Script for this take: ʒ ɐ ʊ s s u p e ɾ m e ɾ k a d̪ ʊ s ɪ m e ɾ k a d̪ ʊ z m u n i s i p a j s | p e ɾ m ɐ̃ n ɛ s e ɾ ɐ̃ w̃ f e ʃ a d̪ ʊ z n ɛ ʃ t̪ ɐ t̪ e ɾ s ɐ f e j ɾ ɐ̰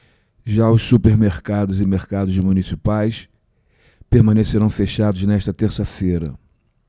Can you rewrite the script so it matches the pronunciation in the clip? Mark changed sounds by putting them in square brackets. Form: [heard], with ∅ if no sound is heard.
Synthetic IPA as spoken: ʒ [a] ʊ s s u p e ɾ m e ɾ k a d̪ ʊ [z] ɪ m e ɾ k a d̪ ʊ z m u n i s i p a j s | p e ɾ m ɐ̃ n [e] s e ɾ ɐ̃ w̃ f e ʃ a d̪ ʊ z n ɛ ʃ t̪ ɐ t̪ e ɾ s ɐ f e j ɾ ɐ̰